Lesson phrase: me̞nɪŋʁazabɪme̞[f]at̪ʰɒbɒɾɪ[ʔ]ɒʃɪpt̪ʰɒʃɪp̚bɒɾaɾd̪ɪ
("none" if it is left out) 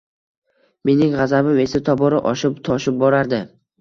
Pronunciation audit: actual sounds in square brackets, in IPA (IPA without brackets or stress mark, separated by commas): s, ʔ